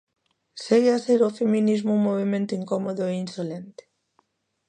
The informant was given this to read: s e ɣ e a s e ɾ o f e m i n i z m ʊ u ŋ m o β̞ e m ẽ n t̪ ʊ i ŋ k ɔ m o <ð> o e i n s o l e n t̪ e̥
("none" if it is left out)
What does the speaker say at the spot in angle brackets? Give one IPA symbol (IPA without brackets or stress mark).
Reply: ð